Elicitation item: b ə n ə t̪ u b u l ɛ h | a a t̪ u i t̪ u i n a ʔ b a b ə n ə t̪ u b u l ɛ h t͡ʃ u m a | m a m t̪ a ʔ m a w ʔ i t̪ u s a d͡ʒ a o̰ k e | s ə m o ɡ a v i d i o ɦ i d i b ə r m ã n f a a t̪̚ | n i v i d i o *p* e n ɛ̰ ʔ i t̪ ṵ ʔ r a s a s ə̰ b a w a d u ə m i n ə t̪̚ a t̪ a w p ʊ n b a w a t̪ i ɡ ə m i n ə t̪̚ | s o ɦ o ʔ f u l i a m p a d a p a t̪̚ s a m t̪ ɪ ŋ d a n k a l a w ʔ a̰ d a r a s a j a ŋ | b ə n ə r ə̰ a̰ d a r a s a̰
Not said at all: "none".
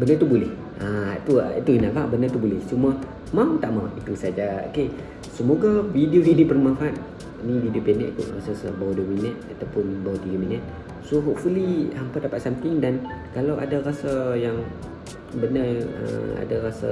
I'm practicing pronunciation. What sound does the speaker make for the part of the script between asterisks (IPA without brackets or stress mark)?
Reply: p